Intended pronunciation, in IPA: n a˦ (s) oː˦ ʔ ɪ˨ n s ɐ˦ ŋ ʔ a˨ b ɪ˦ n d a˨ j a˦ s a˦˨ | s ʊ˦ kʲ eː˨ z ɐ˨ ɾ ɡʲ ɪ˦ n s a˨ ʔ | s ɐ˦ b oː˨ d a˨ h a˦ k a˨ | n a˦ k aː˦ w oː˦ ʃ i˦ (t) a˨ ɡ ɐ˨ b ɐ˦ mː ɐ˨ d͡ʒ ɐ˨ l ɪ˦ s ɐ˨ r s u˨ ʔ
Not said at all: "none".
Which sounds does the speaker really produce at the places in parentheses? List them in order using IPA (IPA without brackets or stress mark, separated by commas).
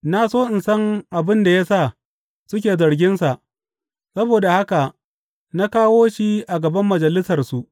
s, ʔ